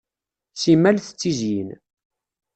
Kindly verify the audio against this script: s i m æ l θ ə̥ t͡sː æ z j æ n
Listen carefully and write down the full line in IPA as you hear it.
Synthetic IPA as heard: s i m æ l θ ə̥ t͡sː i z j i n